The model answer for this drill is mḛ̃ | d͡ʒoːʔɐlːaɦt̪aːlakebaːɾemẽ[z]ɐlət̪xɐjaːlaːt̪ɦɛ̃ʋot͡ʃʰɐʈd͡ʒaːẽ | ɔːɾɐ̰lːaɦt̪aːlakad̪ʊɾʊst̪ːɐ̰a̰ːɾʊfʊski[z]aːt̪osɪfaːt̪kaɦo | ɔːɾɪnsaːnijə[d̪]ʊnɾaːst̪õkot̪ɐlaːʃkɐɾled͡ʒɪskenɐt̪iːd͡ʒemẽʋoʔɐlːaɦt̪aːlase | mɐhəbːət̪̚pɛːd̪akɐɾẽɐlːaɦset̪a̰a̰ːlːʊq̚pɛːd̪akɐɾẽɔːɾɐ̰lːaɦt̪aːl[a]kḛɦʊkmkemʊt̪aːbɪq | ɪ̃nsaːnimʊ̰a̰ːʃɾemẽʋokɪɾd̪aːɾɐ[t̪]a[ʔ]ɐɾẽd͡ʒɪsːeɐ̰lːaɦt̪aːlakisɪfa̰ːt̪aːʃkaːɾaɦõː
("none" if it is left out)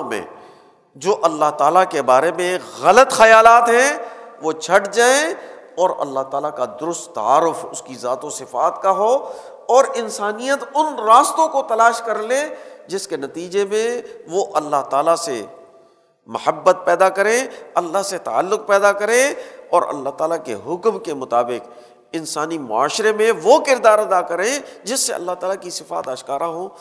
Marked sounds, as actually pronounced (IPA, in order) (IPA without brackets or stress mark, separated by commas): ɣ, z, t̪, a, d̪, k